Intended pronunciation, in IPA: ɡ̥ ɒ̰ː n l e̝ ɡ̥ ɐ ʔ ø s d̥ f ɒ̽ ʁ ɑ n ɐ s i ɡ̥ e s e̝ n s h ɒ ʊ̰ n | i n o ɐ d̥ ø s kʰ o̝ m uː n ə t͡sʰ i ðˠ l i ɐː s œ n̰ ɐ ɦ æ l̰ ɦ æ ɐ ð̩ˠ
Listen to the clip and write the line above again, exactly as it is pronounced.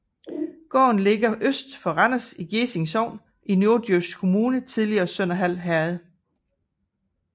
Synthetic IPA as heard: ɡ̥ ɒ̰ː n l e̝ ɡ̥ ɐ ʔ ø s d̥ f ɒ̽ ʁ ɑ n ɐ s i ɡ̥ e s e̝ ŋ s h ɒ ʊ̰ n | i n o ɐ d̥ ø s kʰ o̝ m uː n ə t͡sʰ i ðˠ l i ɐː s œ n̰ ɐ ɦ æ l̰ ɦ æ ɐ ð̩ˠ